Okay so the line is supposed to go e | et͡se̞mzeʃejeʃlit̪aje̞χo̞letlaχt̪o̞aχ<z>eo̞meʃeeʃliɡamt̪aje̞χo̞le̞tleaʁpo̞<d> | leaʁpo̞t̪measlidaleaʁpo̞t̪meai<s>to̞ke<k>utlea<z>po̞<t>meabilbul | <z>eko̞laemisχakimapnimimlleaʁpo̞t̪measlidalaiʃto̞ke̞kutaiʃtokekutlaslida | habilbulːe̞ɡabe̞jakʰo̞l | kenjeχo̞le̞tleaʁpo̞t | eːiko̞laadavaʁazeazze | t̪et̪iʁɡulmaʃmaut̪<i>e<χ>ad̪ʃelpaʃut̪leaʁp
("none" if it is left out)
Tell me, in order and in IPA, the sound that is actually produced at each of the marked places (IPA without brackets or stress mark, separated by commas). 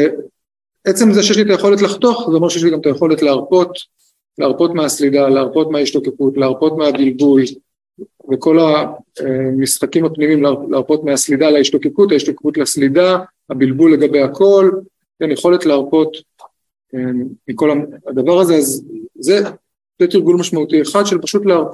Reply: z, t, ʃ, k, ʁ, t, v, i, χ